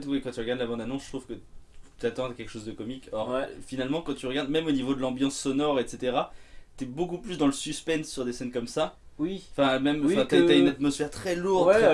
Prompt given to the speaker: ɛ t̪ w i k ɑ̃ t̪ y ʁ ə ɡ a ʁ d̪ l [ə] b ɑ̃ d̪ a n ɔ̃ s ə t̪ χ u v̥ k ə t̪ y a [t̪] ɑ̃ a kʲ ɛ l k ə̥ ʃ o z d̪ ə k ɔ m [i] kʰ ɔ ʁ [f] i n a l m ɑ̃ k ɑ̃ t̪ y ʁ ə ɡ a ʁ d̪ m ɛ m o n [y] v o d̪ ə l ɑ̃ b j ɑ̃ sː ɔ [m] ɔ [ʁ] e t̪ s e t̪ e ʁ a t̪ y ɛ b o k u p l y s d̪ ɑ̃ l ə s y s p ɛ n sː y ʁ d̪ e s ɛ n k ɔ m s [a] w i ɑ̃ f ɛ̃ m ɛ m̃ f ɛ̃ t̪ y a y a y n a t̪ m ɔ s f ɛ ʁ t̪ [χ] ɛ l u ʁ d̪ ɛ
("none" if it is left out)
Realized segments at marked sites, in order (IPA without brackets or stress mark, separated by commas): a, t̪, i, f, i, n, ʁ, a, χ